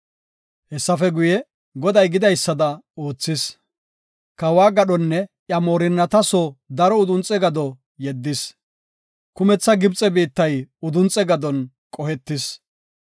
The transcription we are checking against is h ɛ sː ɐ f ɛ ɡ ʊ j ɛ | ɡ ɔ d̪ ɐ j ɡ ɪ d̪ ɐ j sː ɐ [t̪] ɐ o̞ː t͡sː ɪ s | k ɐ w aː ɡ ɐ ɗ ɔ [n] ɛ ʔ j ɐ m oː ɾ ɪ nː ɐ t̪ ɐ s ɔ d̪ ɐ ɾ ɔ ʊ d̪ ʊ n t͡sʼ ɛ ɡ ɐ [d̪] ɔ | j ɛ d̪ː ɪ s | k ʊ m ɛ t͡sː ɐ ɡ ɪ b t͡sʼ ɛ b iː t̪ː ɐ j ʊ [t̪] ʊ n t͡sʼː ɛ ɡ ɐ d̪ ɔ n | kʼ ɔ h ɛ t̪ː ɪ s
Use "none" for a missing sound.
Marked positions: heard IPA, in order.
d̪, nː, d̪, d̪

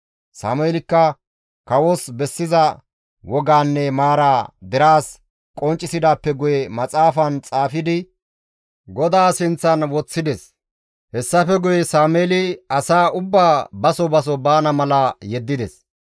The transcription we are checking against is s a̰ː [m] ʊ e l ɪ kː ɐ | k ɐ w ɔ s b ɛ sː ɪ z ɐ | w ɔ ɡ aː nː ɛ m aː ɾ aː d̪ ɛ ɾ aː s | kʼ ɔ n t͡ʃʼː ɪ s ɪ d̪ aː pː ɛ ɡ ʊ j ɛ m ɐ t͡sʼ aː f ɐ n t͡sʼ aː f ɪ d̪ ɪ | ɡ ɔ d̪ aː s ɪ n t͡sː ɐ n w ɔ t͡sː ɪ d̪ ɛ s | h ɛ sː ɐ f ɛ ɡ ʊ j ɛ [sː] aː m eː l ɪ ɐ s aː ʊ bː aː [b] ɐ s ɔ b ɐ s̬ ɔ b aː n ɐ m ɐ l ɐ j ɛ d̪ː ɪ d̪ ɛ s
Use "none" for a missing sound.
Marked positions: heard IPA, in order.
m, s, b

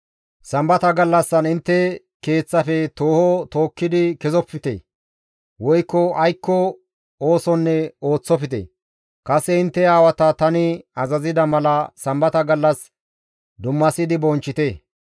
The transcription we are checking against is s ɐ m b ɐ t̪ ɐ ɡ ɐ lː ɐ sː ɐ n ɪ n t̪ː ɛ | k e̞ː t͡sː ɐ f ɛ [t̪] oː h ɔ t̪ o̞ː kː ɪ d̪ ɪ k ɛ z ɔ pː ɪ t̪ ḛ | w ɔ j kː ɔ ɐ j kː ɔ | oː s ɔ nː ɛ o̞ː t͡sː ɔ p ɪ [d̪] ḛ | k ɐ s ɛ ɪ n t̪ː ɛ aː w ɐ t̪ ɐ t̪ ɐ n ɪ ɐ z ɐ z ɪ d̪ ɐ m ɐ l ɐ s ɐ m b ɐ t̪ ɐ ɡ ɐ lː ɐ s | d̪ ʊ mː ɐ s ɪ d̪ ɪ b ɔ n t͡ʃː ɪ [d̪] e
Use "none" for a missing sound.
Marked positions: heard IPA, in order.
t̪, t̪, t̪

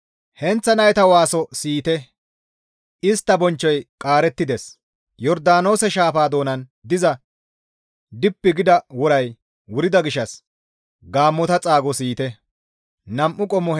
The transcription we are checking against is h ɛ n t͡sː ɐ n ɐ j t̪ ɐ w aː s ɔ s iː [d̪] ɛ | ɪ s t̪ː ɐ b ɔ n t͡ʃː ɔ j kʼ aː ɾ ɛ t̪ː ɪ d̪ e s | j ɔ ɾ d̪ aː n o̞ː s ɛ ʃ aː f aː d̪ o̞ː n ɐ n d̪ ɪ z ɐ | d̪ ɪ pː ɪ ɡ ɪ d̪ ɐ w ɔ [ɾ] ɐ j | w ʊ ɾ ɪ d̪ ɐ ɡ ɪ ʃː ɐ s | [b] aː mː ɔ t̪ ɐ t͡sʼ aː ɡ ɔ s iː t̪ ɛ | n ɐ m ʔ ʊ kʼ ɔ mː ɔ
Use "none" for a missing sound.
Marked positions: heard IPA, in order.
t̪, ɾ, ɡ

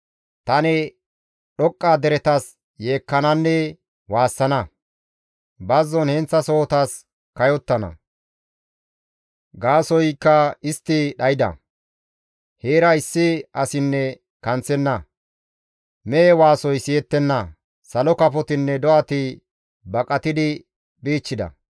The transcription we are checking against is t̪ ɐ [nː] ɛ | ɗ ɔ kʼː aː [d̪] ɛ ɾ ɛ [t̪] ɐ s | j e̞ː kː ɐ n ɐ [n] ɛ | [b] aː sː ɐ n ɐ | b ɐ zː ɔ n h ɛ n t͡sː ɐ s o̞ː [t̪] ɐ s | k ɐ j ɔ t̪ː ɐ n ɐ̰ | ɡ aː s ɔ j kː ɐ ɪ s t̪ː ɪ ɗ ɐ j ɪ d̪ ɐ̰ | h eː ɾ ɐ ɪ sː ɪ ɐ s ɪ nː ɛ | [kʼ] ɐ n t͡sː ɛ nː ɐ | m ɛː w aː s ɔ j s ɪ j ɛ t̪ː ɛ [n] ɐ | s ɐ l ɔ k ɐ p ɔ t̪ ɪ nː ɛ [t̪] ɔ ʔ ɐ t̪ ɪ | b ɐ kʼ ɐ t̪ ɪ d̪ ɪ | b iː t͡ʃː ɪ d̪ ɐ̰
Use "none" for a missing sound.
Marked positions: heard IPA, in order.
n, d̪, t̪, nː, w, t̪, k, nː, d̪

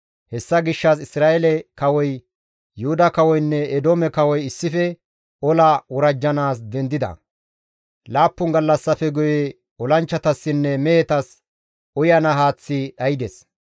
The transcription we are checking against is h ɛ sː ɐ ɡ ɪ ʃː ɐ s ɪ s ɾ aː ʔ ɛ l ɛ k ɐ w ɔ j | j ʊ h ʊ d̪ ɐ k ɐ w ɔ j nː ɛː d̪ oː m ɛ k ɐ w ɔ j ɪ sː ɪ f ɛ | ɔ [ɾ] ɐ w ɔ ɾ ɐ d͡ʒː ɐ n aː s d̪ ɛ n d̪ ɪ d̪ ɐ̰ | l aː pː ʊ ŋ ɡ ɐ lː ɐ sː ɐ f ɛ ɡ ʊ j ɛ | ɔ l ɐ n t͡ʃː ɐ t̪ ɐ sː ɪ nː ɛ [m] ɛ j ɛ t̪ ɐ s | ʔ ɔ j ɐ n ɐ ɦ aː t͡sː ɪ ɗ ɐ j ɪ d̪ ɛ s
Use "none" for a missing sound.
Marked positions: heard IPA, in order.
l, m

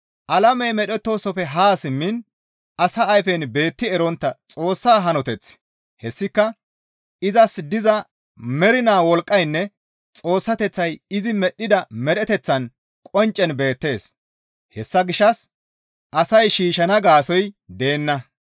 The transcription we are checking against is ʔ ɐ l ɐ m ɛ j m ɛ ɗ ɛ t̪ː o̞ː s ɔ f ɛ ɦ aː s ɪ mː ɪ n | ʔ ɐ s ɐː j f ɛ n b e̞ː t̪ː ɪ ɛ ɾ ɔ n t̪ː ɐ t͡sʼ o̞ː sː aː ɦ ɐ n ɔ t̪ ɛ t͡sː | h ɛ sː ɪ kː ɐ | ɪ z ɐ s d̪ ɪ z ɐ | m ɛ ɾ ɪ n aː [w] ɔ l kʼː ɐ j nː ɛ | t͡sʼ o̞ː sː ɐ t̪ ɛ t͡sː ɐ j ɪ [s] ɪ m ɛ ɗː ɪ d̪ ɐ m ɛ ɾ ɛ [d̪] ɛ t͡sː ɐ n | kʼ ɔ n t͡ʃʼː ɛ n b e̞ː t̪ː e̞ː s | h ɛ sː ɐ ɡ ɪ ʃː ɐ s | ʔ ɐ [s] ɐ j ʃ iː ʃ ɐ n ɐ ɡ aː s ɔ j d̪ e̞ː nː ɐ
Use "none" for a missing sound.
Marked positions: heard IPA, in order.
w, z, t̪, s

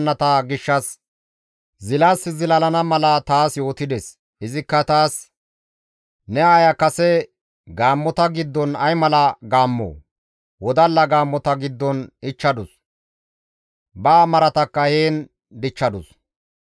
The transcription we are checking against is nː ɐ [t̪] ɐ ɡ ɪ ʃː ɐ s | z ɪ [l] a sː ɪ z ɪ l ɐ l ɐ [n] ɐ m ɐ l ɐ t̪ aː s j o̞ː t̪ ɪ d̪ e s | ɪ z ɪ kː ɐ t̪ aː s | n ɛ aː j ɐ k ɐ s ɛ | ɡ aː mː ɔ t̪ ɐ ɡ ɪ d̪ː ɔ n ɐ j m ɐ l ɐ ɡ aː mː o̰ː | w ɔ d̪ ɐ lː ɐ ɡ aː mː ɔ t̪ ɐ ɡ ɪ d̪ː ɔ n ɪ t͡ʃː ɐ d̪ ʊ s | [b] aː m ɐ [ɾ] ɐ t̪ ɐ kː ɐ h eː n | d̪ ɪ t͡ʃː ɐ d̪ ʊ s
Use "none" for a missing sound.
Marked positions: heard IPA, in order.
t̪, l, n, b, ɾ

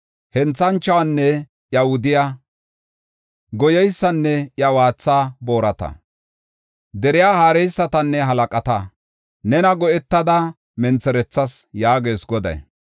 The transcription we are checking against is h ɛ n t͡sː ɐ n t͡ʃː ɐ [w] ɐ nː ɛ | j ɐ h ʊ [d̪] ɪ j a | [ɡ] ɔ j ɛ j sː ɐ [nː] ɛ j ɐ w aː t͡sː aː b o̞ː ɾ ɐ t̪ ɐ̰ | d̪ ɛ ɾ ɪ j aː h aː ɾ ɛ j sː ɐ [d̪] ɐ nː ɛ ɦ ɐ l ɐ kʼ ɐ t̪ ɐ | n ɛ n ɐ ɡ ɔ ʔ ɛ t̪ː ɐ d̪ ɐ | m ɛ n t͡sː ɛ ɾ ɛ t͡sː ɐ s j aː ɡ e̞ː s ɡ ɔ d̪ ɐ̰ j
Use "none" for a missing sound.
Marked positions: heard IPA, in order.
w, d̪, ɡ, nː, t̪

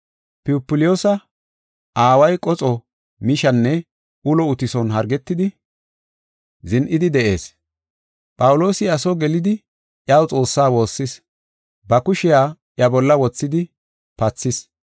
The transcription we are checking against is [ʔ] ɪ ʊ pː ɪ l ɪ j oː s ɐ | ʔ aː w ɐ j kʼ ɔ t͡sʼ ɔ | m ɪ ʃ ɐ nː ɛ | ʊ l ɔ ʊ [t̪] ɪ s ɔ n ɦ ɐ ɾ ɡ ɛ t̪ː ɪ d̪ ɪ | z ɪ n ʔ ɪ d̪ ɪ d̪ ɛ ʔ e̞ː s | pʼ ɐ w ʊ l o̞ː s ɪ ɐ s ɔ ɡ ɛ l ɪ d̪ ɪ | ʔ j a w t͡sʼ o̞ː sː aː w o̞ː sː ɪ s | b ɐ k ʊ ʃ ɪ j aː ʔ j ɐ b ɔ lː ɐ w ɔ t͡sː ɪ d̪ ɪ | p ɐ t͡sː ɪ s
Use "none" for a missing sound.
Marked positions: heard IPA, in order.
p, t̪

